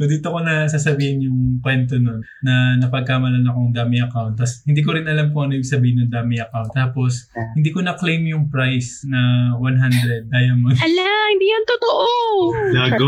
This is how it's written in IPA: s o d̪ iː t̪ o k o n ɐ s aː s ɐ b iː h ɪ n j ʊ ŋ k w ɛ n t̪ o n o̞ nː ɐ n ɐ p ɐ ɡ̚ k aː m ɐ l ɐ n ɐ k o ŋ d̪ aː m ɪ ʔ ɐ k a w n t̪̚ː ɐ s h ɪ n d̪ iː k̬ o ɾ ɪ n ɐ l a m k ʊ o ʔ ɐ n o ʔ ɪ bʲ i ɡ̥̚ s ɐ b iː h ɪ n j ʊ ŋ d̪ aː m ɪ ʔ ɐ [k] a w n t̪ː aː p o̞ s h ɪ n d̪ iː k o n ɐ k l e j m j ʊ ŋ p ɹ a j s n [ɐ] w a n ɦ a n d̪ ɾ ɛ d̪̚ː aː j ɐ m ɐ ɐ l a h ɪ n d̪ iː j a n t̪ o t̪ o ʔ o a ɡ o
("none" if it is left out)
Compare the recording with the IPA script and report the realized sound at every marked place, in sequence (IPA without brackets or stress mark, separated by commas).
k, ɐ